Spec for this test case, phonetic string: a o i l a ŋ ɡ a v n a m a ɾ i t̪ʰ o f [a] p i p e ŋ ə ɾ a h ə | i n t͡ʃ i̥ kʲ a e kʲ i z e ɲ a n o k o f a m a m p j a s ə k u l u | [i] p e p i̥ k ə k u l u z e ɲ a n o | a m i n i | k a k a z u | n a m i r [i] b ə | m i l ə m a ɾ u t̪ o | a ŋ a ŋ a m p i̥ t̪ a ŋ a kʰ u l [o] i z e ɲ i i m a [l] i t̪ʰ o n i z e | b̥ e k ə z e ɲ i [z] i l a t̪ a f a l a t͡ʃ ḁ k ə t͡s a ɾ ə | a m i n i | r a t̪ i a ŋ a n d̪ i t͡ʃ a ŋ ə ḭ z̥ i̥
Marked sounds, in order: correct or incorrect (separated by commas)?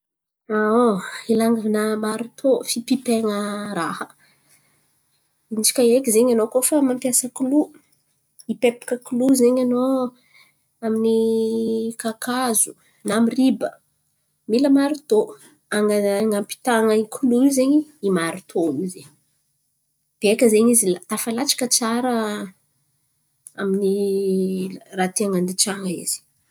incorrect, correct, correct, incorrect, incorrect, correct